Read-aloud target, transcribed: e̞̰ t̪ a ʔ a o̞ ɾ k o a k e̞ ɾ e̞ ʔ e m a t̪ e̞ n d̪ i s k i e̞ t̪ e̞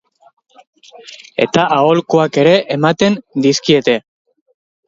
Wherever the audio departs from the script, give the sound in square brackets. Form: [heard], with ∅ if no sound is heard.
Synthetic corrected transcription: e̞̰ t̪ a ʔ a o̞ [l] k o a k e̞ ɾ e̞ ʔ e m a t̪ e̞ n d̪ i s k i e̞ t̪ e̞